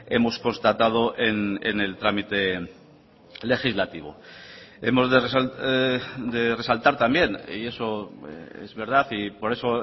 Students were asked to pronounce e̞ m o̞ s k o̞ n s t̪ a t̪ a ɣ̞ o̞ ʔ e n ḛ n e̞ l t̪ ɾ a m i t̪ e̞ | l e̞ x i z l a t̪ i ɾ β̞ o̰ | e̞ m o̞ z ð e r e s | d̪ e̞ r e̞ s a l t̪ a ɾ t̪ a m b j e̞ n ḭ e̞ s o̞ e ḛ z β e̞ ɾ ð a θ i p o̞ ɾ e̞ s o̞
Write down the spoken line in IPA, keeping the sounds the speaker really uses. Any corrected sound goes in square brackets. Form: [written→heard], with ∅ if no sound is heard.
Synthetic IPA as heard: e̞ m o̞ s k o̞ n s t̪ a t̪ a [ɣ̞→ð̞] o̞ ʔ e n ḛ n e̞ l t̪ ɾ a m i t̪ e̞ | l e̞ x i z l a t̪ i [ɾ→∅] β̞ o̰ | e̞ m o̞ z ð e r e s | d̪ e̞ r e̞ s a l t̪ a ɾ t̪ a m b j e̞ n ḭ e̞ s o̞ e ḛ z β e̞ ɾ ð a θ i p o̞ ɾ e̞ s o̞